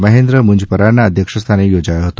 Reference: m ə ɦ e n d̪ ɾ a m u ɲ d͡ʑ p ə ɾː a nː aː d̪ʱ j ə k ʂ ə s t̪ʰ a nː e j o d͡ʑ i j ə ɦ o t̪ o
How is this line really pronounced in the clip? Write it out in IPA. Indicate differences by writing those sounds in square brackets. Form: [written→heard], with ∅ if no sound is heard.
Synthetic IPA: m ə ɦ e n d̪ ɾ [a→ə] m u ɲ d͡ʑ p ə [ɾː→ɾ] a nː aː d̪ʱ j ə k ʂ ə s t̪ʰ a [nː→n] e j o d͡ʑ [i→a] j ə ɦ o t̪ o

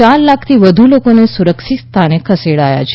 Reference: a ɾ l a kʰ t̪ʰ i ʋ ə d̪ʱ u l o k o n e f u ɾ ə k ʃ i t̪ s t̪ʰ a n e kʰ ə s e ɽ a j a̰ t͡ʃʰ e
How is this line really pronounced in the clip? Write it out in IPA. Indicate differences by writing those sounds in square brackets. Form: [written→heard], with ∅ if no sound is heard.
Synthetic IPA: a ɾ l a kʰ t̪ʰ i ʋ ə d̪ʱ u l o k o n e [f→s] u ɾ ə k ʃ i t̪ s t̪ʰ a n e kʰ ə s e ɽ a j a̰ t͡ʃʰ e

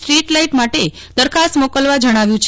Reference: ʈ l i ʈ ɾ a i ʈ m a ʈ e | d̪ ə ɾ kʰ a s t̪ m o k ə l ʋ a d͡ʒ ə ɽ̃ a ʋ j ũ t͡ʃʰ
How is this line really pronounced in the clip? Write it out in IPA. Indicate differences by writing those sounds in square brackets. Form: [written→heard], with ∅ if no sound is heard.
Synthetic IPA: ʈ [l→ɾ] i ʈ [ɾ→l] a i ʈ m a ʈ e | d̪ ə ɾ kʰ a s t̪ m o k ə l ʋ a d͡ʒ ə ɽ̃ a ʋ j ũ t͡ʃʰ

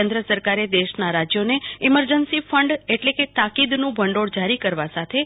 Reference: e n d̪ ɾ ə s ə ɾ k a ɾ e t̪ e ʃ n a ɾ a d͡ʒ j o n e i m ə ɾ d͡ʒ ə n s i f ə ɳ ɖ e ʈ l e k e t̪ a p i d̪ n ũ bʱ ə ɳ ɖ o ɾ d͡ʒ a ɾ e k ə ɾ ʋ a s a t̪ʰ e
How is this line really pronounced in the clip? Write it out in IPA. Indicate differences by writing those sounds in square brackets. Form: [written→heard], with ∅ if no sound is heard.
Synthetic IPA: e n d̪ ɾ ə s ə ɾ k a ɾ e [t̪→d̪] e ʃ n a ɾ a d͡ʒ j o n e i m ə ɾ d͡ʒ ə n s i f ə ɳ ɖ e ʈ l e k e t̪ a [p→k] i d̪ n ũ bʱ ə ɳ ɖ o [ɾ→ɽ] d͡ʒ a ɾ [e→i] k ə ɾ ʋ a s a t̪ʰ e

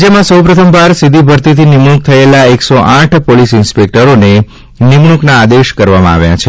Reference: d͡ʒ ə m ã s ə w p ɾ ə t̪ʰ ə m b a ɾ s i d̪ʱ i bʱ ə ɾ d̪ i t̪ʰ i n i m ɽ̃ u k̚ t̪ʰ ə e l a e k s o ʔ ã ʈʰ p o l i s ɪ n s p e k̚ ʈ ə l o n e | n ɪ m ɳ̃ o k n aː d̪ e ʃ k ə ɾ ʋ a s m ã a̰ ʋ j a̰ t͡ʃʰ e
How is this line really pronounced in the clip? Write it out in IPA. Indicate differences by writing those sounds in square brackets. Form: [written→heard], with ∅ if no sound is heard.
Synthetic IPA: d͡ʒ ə m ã s ə w p ɾ ə t̪ʰ ə m b a ɾ s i d̪ʱ i bʱ ə ɾ [d̪→t̪] i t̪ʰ i n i m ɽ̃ u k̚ t̪ʰ ə e l a e k s o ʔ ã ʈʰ p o l i s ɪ n s p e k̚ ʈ ə [l→ɾ] o n e | n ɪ m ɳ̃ [o→u] k n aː d̪ e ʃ k ə ɾ ʋ a [s→∅] m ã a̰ ʋ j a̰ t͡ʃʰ e

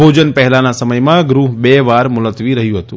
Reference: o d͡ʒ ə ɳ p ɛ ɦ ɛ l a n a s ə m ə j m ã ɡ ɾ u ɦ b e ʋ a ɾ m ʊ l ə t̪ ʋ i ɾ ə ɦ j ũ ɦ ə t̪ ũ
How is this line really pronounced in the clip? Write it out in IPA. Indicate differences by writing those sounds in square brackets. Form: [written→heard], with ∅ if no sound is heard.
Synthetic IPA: o d͡ʒ ə [ɳ→n] p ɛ ɦ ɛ l a n a s ə m ə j m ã ɡ ɾ u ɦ b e ʋ a ɾ m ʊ l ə t̪ ʋ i ɾ ə ɦ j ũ ɦ ə t̪ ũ

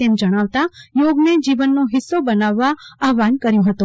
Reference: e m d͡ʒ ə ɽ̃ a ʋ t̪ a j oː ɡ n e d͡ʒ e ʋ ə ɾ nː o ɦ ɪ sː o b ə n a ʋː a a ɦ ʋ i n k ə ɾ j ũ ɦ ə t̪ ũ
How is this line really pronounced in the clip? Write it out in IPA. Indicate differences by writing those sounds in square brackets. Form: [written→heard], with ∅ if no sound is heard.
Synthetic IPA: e m d͡ʒ ə ɽ̃ a ʋ t̪ a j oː ɡ n e d͡ʒ [e→i] ʋ ə [ɾ→∅] nː o ɦ ɪ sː o b ə n a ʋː a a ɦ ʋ [i→a] n k ə ɾ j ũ ɦ ə t̪ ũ

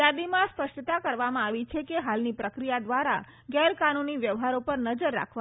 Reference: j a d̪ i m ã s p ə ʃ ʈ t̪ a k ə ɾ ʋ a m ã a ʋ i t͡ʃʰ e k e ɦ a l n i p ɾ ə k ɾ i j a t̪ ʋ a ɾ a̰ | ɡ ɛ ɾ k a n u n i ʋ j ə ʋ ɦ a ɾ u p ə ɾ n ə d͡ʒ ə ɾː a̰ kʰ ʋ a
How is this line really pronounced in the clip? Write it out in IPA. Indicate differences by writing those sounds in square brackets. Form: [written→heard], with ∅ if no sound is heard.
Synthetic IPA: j a d̪ i m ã s p ə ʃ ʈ t̪ a k ə ɾ ʋ a m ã a ʋ i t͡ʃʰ e k e ɦ a l n i p ɾ ə k ɾ i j a [t̪→d̪] ʋ a ɾ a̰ | ɡ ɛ ɾ k a n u n i ʋ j ə ʋ ɦ a ɾ [u→o] p ə ɾ n ə d͡ʒ ə ɾː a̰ kʰ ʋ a

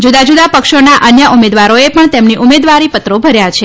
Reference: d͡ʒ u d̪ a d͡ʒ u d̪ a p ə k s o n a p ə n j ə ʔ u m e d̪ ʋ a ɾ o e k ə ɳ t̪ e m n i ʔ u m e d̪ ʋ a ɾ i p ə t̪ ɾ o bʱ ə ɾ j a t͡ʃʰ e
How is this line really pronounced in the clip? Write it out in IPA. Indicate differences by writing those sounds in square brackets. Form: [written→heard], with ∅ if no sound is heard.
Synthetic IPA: d͡ʒ u d̪ a d͡ʒ u d̪ a p ə k [s→ʃ] o n a [p→ʔ] ə n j ə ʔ u m e d̪ ʋ a ɾ o e [k→p] ə ɳ t̪ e m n i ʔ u m e d̪ ʋ a ɾ i p ə t̪ ɾ o bʱ ə ɾ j a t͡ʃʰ e

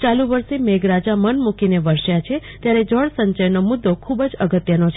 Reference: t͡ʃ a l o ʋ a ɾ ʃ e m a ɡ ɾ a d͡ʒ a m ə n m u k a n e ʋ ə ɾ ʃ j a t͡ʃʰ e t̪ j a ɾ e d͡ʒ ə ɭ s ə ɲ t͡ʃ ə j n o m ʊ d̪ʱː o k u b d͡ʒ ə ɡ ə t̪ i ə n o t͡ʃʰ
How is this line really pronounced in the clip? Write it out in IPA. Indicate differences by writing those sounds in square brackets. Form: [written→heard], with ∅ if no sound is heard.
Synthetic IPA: t͡ʃ a l [o→u] ʋ [a→ə] ɾ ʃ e m [a→e] ɡ ɾ a d͡ʒ a m ə n m u k [a→i] n e ʋ ə ɾ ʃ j a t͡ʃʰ e t̪ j a ɾ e d͡ʒ ə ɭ s ə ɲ t͡ʃ ə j n o m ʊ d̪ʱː o [k→kʰ] u b d͡ʒ ə ɡ ə t̪ [i→j] ə n o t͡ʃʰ

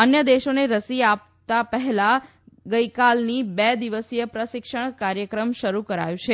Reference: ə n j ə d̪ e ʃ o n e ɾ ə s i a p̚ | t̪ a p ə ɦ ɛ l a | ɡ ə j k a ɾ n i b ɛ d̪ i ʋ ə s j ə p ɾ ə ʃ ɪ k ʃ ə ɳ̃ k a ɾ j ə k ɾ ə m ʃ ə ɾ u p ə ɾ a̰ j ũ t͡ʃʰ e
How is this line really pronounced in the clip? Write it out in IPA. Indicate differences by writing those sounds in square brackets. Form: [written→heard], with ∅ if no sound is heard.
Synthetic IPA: ə n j ə d̪ e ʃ o n e ɾ ə s i a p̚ | t̪ a p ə ɦ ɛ l a | ɡ ə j k a [ɾ→l] n i b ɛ d̪ i ʋ ə s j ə p ɾ ə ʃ ɪ k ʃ ə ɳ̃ k a ɾ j ə k ɾ ə m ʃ ə ɾ u [p→k] ə ɾ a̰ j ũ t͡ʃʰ e

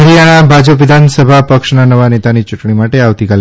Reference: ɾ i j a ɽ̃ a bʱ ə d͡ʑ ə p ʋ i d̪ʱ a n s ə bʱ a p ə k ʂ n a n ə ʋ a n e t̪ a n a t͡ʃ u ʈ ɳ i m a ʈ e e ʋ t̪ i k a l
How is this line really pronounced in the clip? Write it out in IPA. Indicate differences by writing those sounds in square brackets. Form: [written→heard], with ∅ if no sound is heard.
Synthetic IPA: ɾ i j a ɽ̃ a bʱ [ə→a] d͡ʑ ə p ʋ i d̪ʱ a n s ə bʱ a p ə k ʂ n a n ə ʋ a n e t̪ a n [a→i] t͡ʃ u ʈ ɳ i m a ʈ e [e→a] ʋ t̪ i k a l

